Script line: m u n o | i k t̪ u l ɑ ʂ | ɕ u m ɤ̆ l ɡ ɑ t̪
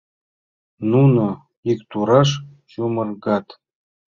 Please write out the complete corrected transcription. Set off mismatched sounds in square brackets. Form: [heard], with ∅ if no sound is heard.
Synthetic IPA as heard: [n] u n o | i k t̪ u [ɾ] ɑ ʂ | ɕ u m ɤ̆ [r] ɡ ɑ t̪